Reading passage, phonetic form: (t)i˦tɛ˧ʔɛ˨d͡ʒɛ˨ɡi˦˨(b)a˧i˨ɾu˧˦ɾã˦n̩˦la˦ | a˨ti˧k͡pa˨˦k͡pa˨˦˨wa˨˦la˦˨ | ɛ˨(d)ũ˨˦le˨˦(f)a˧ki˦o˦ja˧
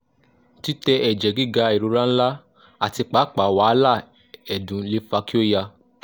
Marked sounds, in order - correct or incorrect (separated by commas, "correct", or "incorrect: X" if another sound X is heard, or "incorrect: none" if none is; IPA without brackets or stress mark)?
correct, incorrect: ɡ, correct, correct